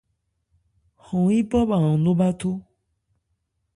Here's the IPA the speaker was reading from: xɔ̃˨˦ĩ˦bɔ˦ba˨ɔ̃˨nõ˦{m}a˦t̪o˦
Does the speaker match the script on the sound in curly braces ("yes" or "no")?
no